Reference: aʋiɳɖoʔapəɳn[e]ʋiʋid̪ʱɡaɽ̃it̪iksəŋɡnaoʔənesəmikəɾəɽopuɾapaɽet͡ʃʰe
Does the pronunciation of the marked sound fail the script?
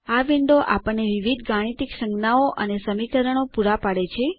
no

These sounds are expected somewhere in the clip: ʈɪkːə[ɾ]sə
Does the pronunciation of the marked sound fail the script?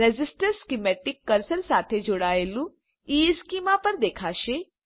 no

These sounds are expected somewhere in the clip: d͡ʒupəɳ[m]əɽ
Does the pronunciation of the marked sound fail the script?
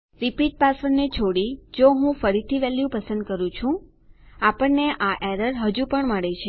no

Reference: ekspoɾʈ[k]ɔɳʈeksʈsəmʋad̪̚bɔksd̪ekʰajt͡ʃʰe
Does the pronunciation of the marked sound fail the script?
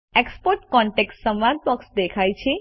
no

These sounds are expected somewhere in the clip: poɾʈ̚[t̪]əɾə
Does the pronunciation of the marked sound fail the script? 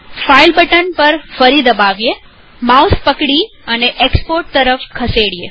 no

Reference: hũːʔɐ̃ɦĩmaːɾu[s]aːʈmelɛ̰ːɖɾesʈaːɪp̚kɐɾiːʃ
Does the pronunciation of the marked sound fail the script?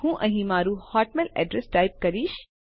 yes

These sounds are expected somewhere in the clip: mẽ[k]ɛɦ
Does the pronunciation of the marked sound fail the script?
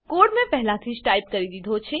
yes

